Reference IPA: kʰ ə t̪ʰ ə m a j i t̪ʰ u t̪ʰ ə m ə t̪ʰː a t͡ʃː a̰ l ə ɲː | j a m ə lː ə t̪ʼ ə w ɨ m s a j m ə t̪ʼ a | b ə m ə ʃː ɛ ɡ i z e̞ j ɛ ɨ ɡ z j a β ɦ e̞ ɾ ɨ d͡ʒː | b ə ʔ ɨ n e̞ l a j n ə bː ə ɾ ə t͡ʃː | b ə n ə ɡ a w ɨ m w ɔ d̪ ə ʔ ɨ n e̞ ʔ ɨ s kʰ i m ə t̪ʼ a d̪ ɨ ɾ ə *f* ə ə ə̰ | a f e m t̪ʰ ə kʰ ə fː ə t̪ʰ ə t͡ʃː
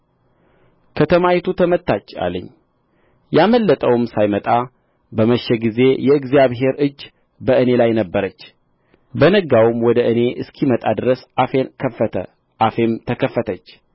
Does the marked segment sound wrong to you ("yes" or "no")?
yes